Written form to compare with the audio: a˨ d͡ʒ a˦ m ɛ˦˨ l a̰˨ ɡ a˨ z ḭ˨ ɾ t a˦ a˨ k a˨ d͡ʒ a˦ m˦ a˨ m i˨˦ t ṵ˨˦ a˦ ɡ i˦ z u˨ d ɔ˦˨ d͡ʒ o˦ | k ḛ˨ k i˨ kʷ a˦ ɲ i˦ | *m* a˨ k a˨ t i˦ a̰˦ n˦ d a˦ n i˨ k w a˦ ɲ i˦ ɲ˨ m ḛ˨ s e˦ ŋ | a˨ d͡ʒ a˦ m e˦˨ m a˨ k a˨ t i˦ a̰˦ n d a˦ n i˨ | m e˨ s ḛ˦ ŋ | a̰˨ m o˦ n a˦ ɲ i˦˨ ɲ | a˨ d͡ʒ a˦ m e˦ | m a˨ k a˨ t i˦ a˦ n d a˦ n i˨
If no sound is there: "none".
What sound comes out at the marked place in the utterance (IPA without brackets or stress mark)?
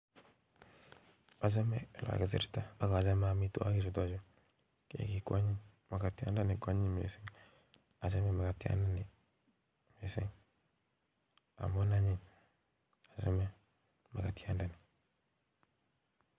m